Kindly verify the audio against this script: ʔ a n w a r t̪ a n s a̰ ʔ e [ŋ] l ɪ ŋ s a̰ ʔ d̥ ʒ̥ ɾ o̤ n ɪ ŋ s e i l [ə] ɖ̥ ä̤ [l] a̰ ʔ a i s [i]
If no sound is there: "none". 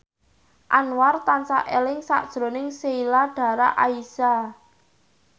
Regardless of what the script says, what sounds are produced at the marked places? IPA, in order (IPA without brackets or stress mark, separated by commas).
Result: none, a, ɾ, a